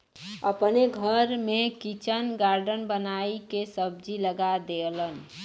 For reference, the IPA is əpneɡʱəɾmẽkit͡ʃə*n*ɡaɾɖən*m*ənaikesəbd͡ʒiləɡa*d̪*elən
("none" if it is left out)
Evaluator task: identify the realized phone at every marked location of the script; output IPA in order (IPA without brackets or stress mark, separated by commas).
n, b, d̪